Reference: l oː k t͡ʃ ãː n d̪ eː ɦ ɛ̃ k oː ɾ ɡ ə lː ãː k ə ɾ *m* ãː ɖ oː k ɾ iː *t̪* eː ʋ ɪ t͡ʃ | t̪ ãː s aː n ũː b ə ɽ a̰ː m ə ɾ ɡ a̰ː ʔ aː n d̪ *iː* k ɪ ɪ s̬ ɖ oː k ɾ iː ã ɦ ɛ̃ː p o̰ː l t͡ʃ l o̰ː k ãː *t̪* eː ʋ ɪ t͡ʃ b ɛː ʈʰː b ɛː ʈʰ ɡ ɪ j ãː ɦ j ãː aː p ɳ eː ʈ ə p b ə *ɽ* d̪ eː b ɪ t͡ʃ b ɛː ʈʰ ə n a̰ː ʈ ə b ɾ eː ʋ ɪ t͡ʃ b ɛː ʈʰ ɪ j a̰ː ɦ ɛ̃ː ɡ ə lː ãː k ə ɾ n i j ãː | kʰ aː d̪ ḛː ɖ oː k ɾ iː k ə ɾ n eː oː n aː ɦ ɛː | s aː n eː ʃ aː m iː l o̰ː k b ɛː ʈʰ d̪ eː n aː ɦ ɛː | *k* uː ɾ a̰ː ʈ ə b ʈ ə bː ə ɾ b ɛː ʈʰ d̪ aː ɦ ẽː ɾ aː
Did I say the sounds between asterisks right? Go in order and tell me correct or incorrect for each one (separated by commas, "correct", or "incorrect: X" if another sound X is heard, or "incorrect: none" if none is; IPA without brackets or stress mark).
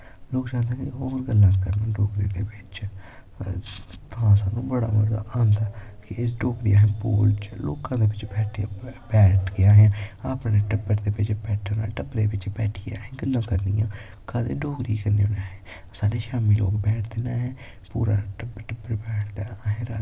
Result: incorrect: n, incorrect: d̪, incorrect: aː, incorrect: d̪, incorrect: ɾ, incorrect: p